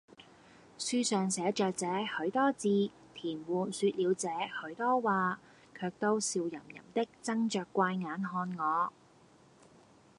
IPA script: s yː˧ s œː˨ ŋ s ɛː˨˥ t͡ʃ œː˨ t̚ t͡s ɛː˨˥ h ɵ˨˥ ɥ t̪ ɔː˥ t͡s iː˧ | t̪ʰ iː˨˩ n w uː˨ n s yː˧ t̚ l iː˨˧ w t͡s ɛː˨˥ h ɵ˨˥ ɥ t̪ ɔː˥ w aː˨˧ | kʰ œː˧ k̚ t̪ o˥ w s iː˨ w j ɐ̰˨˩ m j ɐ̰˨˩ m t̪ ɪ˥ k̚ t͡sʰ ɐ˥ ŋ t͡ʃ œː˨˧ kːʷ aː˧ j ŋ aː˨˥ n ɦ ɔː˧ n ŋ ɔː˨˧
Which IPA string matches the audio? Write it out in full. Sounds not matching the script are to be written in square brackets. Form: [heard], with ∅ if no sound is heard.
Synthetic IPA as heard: s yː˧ s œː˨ ŋ s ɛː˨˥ t͡ʃ œː˨ [k̚] t͡s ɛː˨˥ h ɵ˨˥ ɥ t̪ ɔː˥ t͡s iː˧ | t̪ʰ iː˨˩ n w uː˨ n s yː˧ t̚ l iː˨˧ w t͡s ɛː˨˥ h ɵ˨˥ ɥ t̪ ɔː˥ w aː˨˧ | kʰ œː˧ k̚ t̪ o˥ w s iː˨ w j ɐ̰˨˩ m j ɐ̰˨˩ m t̪ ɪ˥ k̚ [t͡s] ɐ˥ ŋ t͡ʃ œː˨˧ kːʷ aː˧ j ŋ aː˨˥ n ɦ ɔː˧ n ŋ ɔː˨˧